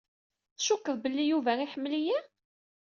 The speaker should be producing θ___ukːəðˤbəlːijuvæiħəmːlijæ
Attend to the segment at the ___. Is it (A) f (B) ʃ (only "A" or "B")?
B